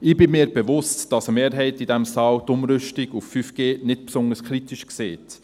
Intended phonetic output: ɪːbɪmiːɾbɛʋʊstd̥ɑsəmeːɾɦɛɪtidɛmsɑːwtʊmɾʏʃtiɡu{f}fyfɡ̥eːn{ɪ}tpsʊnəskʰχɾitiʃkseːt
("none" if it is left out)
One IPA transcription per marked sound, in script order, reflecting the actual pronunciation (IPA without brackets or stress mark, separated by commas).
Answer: f, ɪ